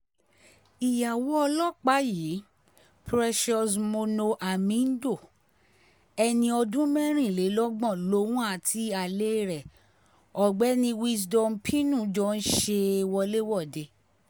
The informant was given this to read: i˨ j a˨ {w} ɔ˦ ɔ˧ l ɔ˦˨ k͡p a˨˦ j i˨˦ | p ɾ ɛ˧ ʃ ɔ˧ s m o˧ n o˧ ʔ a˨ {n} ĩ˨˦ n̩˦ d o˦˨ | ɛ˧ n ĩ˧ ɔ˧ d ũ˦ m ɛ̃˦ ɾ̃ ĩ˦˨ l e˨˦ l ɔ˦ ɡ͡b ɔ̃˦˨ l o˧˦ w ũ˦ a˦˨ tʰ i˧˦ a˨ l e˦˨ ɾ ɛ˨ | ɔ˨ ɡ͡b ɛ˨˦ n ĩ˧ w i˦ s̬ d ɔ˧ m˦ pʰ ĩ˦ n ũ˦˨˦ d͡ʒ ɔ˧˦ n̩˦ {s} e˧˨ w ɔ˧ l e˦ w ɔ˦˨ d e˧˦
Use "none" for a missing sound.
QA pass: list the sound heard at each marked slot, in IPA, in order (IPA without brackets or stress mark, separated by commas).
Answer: w, m, ʃ